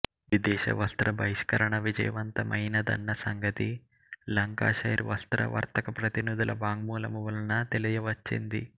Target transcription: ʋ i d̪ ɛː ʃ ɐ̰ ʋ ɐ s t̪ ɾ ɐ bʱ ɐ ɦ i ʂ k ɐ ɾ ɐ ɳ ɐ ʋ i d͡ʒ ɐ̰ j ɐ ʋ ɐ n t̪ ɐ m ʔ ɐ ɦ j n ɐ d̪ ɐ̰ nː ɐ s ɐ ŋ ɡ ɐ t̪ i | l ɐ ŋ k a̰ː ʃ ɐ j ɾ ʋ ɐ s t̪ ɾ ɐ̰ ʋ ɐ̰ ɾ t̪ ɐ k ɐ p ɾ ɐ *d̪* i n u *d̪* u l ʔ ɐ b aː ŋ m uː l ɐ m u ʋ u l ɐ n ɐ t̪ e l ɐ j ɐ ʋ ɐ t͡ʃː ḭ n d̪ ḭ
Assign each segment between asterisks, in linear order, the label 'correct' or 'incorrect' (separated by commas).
incorrect, correct